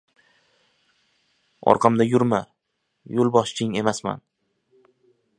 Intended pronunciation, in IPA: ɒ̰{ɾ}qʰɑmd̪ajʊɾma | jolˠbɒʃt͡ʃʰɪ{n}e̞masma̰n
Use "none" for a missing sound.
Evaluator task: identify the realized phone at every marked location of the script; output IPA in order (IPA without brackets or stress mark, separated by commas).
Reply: ɾ, ŋ